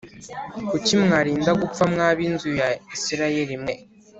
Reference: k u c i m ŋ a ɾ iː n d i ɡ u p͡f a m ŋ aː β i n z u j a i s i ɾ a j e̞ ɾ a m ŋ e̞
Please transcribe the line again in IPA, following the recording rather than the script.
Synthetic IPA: k u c i m ŋ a ɾ iː n d a ɡ u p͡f a m ŋ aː β i n z u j a i s i ɾ a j e̞ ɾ i m ŋ e̞